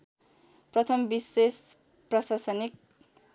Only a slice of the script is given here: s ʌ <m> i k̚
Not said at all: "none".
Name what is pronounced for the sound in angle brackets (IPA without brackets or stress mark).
n